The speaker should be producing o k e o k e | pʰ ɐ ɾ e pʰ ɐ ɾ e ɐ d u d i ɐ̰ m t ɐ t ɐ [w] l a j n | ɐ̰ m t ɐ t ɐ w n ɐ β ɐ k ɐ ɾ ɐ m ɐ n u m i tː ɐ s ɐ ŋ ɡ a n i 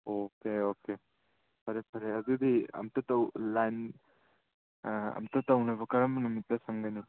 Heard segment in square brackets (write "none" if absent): w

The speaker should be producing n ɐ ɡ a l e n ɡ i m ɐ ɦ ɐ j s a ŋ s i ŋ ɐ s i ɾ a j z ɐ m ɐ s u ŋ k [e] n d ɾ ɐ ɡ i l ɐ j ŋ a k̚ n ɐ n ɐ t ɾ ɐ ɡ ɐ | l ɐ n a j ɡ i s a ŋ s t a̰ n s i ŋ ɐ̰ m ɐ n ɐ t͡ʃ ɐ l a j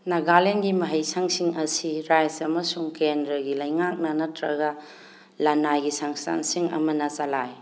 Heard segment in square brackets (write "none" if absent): e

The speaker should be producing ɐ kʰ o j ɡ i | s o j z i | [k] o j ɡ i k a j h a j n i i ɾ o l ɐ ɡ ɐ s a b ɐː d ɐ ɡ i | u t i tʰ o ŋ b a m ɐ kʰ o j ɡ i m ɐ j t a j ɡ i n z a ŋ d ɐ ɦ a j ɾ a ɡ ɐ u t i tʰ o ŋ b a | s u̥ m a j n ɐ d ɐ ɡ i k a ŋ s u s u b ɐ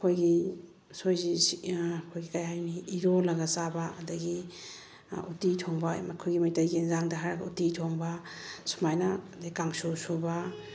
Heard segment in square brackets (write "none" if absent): kʰ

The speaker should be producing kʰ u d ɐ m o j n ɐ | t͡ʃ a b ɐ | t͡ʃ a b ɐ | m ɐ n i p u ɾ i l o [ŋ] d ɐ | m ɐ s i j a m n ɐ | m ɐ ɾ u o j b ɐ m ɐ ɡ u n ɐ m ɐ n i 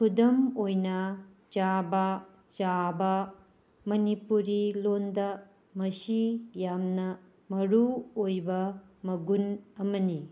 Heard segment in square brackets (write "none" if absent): n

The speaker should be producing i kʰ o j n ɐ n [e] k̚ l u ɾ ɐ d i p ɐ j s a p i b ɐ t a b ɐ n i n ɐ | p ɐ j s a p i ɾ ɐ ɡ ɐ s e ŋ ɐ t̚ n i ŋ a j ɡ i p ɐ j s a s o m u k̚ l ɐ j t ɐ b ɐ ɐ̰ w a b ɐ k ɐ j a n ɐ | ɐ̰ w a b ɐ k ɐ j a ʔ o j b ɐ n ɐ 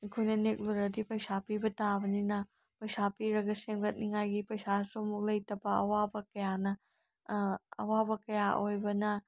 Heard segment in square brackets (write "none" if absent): e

